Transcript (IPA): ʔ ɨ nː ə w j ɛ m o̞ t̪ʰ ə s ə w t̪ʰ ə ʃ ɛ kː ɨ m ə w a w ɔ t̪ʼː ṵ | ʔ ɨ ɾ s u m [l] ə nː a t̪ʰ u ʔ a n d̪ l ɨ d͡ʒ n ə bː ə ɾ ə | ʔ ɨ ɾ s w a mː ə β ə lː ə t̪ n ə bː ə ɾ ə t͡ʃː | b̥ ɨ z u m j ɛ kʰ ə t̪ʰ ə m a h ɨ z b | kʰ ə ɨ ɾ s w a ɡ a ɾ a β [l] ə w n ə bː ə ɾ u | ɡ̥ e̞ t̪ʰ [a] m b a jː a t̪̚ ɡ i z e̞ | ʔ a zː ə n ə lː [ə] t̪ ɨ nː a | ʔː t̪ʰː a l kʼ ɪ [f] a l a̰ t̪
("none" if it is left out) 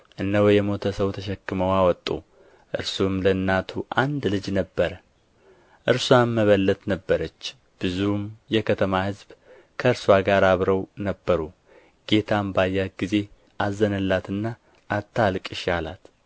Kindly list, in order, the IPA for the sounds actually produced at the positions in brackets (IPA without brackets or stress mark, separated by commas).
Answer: l, ɾ, a, a, ʃ